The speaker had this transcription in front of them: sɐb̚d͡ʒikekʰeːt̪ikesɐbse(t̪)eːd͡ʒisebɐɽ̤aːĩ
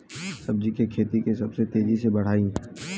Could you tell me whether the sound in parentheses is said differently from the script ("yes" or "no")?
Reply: no